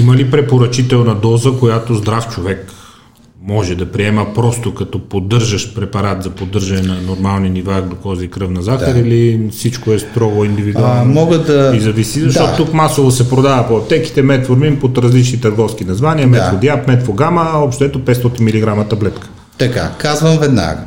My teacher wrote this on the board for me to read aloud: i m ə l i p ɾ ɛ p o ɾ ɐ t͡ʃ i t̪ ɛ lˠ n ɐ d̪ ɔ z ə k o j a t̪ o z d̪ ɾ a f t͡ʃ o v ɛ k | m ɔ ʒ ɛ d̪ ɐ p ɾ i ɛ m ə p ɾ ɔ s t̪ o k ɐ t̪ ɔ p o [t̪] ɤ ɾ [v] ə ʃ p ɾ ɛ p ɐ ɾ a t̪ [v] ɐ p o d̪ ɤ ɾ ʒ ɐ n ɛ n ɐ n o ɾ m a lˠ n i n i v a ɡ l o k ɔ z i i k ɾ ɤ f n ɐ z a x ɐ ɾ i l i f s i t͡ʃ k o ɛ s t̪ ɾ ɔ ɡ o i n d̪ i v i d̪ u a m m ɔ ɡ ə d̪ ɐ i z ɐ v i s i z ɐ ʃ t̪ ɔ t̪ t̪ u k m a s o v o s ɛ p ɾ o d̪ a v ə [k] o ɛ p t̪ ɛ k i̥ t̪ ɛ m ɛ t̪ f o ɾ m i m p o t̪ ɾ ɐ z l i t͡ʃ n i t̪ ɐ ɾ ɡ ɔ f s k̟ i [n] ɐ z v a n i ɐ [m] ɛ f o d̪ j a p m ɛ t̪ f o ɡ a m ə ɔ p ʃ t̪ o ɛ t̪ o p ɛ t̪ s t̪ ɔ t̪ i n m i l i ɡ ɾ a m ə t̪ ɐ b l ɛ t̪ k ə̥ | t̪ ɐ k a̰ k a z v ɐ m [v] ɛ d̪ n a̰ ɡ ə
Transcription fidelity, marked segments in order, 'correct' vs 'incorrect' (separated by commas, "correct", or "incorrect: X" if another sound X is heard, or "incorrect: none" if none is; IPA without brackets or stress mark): incorrect: d̪, incorrect: ʒ, incorrect: z, incorrect: p, correct, correct, correct